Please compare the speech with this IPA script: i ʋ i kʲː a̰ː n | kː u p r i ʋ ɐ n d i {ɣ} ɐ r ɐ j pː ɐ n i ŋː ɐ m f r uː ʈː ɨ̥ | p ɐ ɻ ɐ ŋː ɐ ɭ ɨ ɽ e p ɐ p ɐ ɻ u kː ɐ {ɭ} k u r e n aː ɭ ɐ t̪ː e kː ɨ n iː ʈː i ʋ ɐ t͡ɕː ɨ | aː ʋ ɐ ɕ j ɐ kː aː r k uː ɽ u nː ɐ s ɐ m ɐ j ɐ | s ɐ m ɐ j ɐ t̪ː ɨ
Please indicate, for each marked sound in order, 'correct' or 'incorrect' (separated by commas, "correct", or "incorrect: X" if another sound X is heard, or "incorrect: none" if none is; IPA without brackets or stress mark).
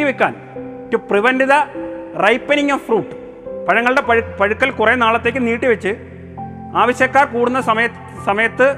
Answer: incorrect: ð, incorrect: l